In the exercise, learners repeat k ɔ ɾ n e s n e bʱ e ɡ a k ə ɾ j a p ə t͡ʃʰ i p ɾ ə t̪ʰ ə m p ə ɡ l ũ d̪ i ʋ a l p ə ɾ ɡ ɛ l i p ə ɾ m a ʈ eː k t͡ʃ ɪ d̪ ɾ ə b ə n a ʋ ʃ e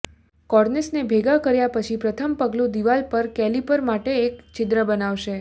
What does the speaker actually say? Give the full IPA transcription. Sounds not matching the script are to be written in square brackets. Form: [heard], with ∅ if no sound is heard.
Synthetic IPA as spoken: k ɔ ɾ n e s n e bʱ e ɡ a k ə ɾ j a p ə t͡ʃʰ i p ɾ ə t̪ʰ ə m p ə ɡ l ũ d̪ i ʋ a l p ə ɾ [k] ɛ l i p ə ɾ m a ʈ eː k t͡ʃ ɪ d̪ ɾ ə b ə n a ʋ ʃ e